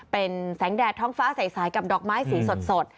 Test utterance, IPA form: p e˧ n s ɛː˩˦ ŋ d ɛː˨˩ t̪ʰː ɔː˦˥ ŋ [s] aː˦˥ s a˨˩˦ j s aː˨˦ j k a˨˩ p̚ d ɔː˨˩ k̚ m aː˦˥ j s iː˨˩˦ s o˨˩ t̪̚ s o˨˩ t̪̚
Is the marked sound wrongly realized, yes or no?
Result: yes